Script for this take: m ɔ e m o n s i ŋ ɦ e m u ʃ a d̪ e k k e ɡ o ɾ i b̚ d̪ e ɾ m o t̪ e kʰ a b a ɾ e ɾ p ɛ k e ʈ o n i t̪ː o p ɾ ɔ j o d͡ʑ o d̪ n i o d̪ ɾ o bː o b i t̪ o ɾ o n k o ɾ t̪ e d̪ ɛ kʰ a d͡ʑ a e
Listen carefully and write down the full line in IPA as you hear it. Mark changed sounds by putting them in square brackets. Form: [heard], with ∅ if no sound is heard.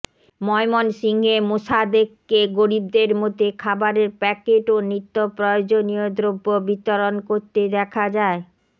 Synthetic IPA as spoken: m ɔ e m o n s i ŋ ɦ e m [o] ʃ a d̪ e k k e ɡ o ɾ i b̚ d̪ e ɾ m o t̪ e kʰ a b a ɾ e ɾ p ɛ k e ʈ o n i t̪ː o p ɾ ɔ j o d͡ʑ o [∅] n i o d̪ ɾ o bː o b i t̪ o ɾ o n k o ɾ t̪ e d̪ ɛ kʰ a d͡ʑ a e